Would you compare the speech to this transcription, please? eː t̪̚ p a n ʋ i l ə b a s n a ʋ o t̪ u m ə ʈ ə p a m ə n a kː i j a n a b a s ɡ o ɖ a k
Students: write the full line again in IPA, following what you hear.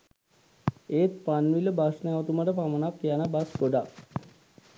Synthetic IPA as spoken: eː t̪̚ p a n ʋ i l ə b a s n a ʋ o t̪ u m ə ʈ ə p a m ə n a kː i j a n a b a s ɡ o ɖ a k

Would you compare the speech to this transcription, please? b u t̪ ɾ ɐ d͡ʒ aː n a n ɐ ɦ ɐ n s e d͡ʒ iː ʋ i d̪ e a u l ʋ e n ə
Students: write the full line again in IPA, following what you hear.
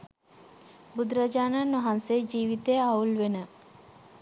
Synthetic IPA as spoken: b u d̪ ɾ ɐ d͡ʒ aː n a n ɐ ɦ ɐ n s e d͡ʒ iː ʋ i t̪ e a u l ʋ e n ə

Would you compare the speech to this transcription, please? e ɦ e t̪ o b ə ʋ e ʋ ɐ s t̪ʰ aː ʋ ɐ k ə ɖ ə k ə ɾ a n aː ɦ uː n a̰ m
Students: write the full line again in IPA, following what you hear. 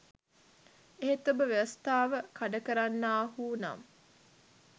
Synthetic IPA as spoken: e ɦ e t̪ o b ə ʋ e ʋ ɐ s t̪ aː ʋ ə k a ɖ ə k ə ɾ a nː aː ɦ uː n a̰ m

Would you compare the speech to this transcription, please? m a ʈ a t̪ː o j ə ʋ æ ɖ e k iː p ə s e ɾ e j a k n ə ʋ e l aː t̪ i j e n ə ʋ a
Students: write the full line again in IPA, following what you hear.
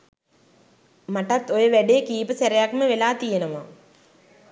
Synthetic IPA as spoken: m a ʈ a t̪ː o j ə ʋ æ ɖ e k iː p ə s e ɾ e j a k m ə ʋ e l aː t̪ i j e n ə ʋ a

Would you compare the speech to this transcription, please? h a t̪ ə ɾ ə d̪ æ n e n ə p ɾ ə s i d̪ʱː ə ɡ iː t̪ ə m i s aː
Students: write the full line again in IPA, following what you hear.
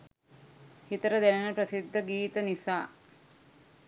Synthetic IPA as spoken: h i t̪ ə ɾ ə d̪ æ n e n ə p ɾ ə s i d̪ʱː ə ɡ iː t̪ ə n i s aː

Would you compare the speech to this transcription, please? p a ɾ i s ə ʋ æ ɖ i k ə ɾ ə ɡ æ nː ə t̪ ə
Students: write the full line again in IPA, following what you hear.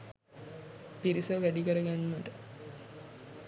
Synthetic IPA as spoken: p i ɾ i s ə ʋ æ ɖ i k ə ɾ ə ɡ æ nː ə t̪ ə

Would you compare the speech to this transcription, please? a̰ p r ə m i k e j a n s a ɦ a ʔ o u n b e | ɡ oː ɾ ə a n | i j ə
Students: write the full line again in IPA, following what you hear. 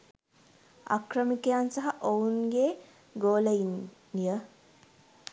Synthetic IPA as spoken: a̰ k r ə m i k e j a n s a ɦ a ʔ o u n ɡ e | ɡ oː l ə i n | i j ə

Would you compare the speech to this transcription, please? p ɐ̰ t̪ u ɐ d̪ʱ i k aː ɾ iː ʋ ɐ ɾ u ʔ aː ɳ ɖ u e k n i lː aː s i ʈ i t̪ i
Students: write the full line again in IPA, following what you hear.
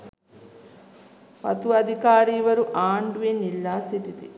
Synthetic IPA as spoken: p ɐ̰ t̪ u ɐ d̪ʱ i k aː ɾ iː ʋ ɐ ɾ u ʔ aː ɳ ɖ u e n i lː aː s i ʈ i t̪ i

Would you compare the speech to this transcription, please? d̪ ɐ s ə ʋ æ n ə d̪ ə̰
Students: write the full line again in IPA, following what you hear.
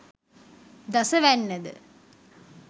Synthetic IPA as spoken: d̪ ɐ s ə ʋ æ nː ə d̪ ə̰

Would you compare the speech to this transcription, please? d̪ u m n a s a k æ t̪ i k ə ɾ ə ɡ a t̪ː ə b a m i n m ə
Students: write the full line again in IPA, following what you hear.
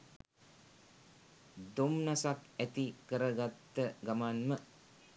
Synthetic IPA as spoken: d̪ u m n a s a k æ t̪ i k ə ɾ ə ɡ a t̪ː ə ɡ a m a n m ə

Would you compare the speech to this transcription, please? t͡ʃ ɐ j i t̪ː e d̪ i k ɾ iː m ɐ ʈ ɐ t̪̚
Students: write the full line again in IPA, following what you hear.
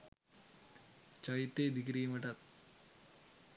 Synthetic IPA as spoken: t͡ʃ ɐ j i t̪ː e d̪ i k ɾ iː m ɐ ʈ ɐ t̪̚

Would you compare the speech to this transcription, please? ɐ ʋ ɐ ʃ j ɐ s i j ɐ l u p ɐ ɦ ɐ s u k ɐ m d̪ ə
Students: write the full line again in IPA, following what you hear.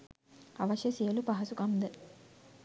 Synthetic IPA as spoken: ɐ ʋ ɐ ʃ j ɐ s i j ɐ l u p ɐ ɦ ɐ s u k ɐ m d̪ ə

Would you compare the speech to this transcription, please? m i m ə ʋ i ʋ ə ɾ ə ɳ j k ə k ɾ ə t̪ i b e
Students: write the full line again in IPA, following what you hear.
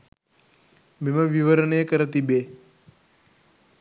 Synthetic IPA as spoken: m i m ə ʋ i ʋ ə ɾ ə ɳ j k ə ɾ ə t̪ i b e

